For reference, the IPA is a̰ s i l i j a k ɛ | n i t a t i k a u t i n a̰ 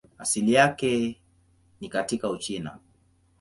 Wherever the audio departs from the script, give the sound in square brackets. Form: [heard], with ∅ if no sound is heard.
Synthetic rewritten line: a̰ s i l i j a k ɛ | n i [k] a t i k a u [t͡ʃ] i n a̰